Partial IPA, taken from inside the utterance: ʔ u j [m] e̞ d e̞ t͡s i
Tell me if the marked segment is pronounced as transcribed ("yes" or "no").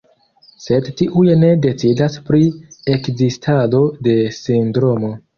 no